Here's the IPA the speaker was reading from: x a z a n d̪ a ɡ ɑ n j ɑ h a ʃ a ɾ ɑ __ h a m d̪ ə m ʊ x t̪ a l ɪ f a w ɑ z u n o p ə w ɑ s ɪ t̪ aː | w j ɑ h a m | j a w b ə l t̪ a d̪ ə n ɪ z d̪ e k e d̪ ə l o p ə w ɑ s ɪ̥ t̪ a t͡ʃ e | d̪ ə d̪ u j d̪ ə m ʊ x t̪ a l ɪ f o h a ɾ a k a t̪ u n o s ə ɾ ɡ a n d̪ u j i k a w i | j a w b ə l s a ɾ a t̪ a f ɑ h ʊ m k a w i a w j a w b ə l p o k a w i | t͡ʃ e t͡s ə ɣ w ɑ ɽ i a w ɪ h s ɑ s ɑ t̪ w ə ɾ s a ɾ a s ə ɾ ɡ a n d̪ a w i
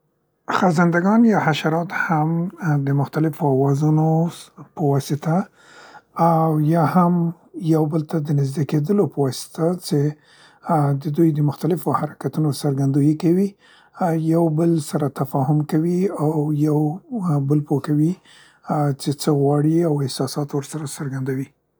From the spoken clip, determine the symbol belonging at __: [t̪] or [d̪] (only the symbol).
t̪